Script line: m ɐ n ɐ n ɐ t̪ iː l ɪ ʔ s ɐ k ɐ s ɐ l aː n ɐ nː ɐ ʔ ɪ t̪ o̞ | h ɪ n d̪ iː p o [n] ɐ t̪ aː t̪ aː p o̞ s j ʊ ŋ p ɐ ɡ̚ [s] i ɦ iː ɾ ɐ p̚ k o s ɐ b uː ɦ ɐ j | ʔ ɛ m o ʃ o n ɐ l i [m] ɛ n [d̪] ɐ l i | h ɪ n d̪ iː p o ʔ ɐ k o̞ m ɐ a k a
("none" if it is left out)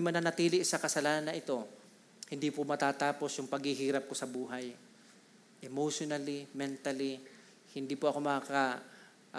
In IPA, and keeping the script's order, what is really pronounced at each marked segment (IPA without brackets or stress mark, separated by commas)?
m, h, m, t̪